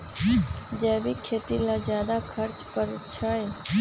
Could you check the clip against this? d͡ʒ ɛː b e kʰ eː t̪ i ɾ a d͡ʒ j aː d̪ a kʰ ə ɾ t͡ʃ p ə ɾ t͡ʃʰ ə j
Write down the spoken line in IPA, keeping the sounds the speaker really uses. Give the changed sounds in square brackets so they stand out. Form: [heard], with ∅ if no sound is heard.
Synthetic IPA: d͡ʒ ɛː b [i] kʰ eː t̪ i [l] a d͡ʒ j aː d̪ a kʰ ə ɾ t͡ʃ p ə ɾ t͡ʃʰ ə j